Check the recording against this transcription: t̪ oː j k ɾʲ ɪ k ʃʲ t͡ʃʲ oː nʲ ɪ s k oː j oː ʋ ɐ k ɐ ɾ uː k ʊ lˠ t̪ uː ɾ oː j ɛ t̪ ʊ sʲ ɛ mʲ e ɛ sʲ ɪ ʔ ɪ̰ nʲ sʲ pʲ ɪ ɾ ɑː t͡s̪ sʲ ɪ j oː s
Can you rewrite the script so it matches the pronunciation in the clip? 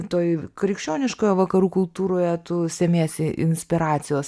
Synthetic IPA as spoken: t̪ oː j k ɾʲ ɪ k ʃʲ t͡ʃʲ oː nʲ ɪ ʃ k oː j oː ʋ ɐ k ɐ ɾ uː k ʊ lˠ t̪ uː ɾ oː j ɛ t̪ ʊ sʲ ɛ mʲ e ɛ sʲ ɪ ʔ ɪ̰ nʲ sʲ pʲ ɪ ɾ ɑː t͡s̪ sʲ ɪ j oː s